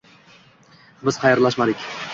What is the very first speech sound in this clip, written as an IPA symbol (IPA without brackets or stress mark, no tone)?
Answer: b